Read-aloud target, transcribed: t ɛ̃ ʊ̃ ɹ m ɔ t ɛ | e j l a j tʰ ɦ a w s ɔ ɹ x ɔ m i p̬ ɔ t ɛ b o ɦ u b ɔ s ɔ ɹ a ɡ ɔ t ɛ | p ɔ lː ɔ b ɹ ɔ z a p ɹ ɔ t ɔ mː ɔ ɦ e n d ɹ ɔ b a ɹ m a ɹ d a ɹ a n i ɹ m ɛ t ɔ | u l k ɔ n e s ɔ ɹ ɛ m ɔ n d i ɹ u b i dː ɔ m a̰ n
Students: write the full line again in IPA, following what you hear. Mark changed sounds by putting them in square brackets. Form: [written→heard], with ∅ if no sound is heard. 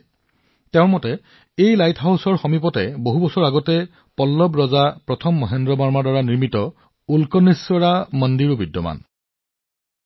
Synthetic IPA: t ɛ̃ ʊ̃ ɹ m ɔ t ɛ | e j l a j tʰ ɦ a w s ɔ ɹ x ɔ m i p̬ ɔ t ɛ b o ɦ u b ɔ s ɔ ɹ a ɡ ɔ t ɛ | p ɔ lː ɔ b ɹ ɔ z a p ɹ ɔ [t→tʰ] ɔ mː ɔ ɦ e n d ɹ ɔ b a ɹ m a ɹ d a ɹ a n i ɹ m [ɛ→i] t ɔ | u l k ɔ n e s ɔ ɹ [ɛ→a] m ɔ n d i ɹ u b i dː ɔ m a̰ n